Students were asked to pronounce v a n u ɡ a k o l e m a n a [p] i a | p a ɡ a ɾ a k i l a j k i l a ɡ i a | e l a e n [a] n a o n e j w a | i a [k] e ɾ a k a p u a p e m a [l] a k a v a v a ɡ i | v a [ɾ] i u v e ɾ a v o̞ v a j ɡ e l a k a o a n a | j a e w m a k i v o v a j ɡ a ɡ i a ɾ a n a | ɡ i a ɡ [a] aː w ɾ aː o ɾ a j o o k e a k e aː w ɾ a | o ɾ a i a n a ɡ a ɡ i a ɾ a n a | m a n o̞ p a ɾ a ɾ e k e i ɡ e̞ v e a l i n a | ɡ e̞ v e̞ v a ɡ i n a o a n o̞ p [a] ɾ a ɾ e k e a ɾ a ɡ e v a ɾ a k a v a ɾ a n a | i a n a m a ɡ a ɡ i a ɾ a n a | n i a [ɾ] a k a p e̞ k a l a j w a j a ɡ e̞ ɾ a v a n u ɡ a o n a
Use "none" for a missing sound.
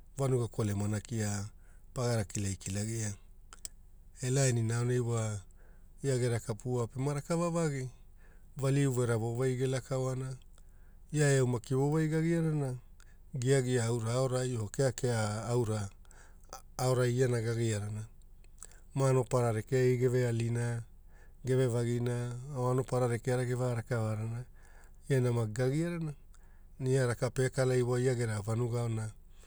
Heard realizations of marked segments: k, i, ɡ, ɾ, l, i, a, ɾ

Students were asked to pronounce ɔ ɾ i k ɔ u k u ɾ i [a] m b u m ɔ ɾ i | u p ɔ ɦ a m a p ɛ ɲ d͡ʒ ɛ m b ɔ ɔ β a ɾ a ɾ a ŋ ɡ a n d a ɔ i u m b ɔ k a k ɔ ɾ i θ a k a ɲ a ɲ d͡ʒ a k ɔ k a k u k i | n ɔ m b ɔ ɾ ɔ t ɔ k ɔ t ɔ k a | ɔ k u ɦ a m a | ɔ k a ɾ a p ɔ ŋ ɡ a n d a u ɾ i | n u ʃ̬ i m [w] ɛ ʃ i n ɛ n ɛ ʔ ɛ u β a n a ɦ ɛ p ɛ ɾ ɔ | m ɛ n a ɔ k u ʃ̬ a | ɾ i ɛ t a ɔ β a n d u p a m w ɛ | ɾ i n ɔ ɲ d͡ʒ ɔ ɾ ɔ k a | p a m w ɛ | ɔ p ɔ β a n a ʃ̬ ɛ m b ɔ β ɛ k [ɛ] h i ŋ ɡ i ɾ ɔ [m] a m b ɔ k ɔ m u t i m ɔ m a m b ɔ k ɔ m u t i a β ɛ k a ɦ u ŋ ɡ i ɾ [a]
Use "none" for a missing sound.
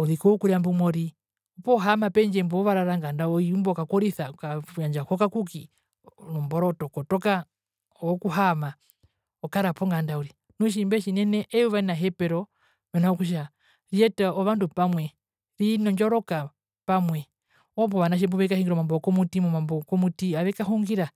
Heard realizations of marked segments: a, b, a, m, a

